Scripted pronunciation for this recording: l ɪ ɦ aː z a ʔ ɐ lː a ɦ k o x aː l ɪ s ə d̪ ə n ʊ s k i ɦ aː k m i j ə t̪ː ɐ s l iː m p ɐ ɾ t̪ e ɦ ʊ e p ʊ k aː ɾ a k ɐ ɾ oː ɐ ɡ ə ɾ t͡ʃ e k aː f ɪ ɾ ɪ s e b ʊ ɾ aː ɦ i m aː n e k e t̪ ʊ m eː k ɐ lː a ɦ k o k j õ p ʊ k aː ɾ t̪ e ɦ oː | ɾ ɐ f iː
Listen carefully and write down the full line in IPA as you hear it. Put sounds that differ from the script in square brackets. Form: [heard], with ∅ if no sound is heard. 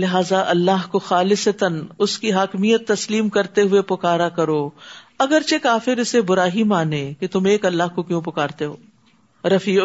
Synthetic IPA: l ɪ ɦ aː z a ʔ ɐ lː a ɦ k o x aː l ɪ s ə [t̪] ə n ʊ s k i ɦ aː k m i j ə t̪ː ɐ s l iː m [k] ɐ ɾ t̪ e ɦ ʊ e p ʊ k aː ɾ a k ɐ ɾ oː ɐ ɡ ə ɾ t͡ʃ e k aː f ɪ ɾ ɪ s e b ʊ ɾ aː ɦ i m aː n e k e t̪ ʊ m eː k ɐ lː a ɦ k o k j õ p ʊ k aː ɾ t̪ e ɦ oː | ɾ ɐ f iː